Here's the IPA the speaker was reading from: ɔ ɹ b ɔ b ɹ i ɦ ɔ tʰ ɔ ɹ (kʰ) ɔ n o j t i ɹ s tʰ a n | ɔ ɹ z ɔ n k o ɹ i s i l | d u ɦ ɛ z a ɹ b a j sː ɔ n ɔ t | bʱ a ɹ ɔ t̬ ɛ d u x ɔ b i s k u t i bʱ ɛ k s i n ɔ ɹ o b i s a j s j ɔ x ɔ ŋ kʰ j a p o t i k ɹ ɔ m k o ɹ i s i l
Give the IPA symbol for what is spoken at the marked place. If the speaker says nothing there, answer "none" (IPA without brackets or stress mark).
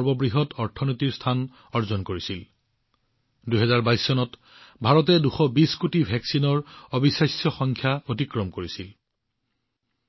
tʰ